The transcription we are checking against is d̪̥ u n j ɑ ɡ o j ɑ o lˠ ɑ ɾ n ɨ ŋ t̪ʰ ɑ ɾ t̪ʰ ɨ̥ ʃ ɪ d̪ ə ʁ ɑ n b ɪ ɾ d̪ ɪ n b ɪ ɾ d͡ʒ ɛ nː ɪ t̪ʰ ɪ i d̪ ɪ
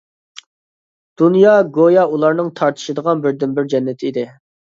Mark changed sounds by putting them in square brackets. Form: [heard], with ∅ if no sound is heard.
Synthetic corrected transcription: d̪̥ u n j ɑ ɡ o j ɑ [u] lˠ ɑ ɾ n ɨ ŋ t̪ʰ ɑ ɾ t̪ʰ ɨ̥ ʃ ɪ d̪ ə ʁ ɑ n b ɪ ɾ d̪ ɪ n b ɪ ɾ d͡ʒ ɛ nː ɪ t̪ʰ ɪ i d̪ ɪ